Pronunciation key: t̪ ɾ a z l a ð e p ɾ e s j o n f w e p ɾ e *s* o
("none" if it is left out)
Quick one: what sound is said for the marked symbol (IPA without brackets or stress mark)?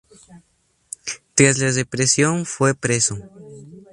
s